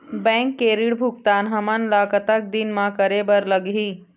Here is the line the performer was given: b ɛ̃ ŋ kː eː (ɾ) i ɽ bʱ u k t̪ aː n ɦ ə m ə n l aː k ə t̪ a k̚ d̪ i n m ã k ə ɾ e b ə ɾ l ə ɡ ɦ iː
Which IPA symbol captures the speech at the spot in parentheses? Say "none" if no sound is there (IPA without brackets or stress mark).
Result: ɾ